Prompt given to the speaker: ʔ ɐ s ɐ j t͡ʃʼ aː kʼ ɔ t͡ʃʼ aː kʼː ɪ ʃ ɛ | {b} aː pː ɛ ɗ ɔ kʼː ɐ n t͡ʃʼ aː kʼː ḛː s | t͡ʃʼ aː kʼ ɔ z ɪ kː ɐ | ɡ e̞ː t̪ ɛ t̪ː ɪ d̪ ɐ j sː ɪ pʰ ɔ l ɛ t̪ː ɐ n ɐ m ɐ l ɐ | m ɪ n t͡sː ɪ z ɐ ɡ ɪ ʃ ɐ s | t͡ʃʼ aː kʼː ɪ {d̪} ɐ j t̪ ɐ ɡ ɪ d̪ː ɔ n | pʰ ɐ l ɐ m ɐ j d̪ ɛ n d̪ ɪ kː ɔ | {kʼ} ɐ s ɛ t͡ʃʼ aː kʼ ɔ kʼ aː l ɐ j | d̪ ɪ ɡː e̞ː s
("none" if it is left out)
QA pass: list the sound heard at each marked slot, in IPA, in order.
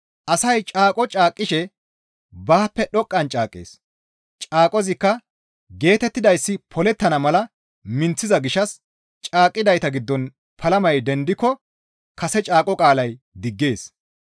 b, d̪, k

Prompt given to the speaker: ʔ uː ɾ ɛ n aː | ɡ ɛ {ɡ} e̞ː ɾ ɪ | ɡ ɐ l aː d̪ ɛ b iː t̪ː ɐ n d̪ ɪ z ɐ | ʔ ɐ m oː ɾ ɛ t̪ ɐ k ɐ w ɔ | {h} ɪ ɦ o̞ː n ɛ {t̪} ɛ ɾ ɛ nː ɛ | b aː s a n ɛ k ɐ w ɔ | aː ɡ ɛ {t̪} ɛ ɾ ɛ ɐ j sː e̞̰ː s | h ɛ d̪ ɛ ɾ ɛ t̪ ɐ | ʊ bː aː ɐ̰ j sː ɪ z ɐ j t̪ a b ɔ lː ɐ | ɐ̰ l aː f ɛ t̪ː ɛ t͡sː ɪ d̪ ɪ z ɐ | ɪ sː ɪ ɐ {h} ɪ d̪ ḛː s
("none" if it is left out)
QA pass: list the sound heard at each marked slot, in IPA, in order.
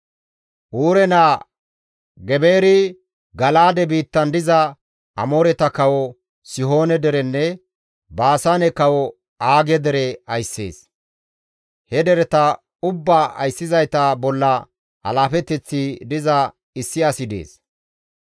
b, s, d̪, d̪, s

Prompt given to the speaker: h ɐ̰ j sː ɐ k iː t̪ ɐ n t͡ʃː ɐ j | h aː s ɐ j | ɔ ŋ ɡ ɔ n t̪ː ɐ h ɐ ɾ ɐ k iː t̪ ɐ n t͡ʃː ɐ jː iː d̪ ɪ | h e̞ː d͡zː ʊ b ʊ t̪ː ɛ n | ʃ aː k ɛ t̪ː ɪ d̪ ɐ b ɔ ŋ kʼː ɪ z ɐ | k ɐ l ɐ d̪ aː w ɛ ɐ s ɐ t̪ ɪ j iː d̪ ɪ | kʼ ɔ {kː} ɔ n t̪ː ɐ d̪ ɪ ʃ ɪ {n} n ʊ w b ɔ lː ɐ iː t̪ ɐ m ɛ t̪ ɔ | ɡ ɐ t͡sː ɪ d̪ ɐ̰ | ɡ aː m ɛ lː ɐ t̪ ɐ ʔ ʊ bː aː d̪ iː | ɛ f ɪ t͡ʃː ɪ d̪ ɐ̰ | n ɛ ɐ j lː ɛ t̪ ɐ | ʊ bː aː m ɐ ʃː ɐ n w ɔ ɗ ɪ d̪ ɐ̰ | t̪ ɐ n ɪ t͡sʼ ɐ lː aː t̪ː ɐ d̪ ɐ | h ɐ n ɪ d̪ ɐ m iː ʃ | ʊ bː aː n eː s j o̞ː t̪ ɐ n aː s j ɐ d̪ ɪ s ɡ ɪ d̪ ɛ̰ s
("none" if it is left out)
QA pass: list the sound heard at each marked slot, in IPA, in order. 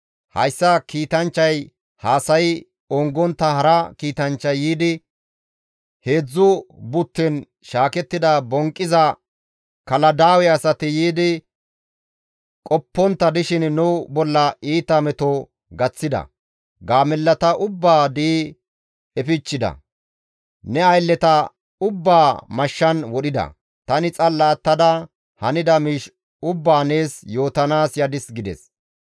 pː, n

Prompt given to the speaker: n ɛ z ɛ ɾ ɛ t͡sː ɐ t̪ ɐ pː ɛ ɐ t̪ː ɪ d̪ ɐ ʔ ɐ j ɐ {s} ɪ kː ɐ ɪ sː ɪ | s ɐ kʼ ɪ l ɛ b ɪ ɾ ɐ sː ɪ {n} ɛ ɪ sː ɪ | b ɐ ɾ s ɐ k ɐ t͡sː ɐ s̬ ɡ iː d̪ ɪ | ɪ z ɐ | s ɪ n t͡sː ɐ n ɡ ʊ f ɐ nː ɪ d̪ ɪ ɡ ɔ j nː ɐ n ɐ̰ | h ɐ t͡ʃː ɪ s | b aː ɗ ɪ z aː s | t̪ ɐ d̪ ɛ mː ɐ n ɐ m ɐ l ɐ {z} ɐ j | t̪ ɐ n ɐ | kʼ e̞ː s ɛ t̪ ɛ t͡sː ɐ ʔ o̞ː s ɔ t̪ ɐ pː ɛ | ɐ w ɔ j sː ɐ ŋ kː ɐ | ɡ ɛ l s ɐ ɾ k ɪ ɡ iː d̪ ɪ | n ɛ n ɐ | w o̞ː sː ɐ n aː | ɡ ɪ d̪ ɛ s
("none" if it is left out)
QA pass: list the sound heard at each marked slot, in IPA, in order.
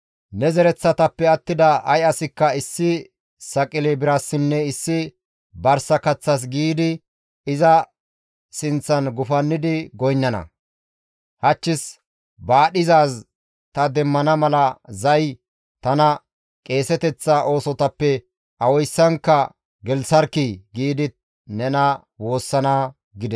s, nː, z

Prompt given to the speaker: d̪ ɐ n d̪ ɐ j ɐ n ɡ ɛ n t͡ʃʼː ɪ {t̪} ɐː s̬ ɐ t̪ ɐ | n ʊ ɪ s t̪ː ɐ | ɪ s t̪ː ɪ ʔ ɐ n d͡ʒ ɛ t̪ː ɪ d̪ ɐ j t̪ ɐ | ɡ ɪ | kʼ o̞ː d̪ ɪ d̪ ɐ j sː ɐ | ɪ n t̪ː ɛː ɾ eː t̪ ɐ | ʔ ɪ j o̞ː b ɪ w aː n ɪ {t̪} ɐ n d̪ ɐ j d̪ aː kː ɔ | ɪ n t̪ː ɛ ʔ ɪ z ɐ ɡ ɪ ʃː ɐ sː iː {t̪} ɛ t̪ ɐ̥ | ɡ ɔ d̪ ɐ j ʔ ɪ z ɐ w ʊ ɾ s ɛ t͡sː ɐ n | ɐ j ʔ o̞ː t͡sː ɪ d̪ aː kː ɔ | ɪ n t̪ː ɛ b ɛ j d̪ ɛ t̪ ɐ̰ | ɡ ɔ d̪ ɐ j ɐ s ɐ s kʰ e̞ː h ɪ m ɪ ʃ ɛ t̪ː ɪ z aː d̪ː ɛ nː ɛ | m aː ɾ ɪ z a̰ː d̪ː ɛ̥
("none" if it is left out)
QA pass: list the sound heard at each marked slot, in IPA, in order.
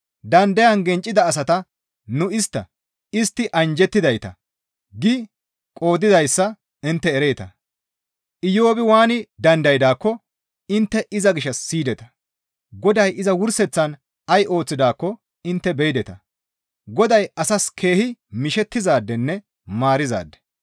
d̪, d̪, d̪

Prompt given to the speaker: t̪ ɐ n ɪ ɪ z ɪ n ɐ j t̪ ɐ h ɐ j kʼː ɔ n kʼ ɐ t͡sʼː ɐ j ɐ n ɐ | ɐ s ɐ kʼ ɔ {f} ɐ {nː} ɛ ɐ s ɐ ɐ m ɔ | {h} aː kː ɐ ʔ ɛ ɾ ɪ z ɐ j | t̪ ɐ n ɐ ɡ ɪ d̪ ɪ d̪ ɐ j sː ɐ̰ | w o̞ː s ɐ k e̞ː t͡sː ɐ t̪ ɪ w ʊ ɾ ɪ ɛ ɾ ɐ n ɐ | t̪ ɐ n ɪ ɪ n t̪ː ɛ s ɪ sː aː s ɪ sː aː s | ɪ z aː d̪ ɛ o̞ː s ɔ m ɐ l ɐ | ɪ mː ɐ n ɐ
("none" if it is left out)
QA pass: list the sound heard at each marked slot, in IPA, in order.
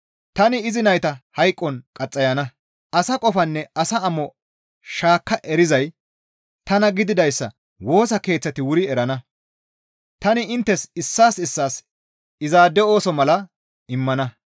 f, nː, ʃ

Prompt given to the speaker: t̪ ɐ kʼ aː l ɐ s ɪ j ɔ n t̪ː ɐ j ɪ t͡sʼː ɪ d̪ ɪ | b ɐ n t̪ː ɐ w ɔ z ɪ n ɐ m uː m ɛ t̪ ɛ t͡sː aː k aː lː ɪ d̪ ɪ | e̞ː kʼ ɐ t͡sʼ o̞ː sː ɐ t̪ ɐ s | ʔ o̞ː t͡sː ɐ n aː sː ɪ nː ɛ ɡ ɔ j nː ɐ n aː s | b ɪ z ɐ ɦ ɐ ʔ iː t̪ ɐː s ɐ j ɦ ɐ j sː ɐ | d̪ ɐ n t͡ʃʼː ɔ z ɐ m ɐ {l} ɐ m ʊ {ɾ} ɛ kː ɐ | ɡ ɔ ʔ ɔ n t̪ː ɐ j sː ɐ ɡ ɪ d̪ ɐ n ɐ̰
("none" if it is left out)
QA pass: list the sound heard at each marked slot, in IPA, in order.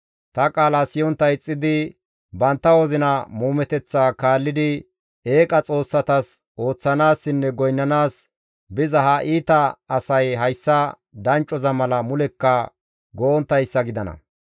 l, l

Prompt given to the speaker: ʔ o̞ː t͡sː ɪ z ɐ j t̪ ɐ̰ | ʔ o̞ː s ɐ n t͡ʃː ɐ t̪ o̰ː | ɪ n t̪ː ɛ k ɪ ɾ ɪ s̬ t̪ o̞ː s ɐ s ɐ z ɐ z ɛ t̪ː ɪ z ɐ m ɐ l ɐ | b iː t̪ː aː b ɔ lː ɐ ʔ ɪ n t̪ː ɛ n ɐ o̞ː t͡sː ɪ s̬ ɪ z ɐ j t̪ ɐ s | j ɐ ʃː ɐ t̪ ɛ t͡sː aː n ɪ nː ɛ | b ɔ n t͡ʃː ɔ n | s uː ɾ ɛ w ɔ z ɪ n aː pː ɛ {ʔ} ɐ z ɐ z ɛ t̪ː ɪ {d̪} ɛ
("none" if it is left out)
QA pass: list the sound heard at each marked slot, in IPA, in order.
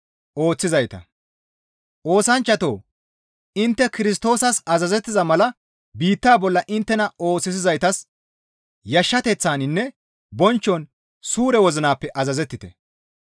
ʔ, t̪

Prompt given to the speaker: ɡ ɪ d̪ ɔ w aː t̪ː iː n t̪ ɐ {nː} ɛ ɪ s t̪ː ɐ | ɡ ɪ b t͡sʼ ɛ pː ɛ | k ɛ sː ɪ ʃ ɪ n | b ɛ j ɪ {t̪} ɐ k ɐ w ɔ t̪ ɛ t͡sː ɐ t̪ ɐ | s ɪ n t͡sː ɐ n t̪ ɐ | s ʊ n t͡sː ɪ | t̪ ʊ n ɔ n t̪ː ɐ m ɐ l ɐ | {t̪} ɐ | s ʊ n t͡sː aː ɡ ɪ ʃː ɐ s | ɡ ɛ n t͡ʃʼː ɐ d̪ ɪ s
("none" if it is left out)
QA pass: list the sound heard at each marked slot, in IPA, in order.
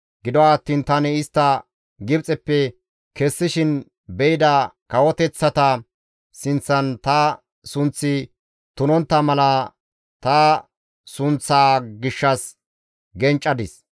n, d̪, t̪

